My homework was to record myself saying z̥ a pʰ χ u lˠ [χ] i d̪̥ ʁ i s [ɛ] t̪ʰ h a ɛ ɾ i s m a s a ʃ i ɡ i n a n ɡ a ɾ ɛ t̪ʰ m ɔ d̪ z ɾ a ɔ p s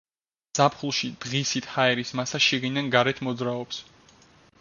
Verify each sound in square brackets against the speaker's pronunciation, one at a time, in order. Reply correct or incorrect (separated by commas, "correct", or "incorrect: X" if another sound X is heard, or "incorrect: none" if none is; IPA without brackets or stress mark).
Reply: incorrect: ʃ, incorrect: i